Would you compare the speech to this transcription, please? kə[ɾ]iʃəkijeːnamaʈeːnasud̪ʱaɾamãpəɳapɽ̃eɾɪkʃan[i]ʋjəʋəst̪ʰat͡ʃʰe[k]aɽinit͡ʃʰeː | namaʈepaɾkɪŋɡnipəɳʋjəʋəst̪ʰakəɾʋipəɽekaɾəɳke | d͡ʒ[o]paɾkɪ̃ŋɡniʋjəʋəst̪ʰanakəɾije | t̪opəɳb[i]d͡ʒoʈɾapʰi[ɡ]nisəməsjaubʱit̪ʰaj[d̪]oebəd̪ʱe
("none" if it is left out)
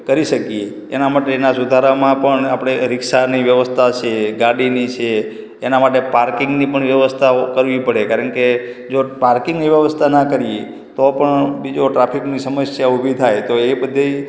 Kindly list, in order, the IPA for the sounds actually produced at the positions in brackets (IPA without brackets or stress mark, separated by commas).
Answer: ɾ, i, ɡ, o, i, k, t̪